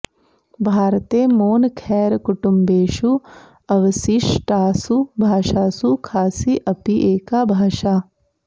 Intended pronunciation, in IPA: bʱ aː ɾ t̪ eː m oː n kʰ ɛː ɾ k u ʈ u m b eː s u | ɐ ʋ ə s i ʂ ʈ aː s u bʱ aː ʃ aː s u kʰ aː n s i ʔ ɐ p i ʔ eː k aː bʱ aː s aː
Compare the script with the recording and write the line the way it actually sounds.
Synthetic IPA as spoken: bʱ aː ɾ t̪ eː m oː n kʰ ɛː ɾ k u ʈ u m b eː ʃ u | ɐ ʋ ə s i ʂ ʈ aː s u bʱ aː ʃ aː s u kʰ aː s i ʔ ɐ p i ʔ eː k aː bʱ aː ʃ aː